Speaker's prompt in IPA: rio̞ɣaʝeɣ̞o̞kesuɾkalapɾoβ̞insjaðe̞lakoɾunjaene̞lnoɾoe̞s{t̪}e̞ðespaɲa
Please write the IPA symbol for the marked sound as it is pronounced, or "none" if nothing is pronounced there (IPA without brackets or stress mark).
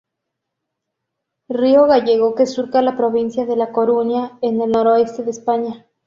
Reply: t̪